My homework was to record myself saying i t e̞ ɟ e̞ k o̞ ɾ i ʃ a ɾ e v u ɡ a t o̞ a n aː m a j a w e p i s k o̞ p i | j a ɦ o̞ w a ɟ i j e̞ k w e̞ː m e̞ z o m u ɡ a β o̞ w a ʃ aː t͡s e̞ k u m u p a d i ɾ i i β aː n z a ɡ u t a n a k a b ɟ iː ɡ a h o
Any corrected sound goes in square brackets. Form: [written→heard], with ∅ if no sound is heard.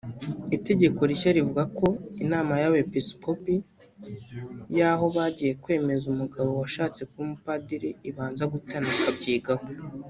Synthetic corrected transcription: i t e̞ ɟ e̞ k o̞ ɾ i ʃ a ɾ [e→i] v u ɡ a [t→k] o̞ [a→i] n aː m a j a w e p i s k o̞ p i | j a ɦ o̞ [w→β] a ɟ i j e̞ k w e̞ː m e̞ z [o→u] m u ɡ a β o̞ w a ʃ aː t͡s e̞ k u m u p a d i ɾ i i β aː n z a ɡ u t a n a k a b ɟ iː ɡ a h o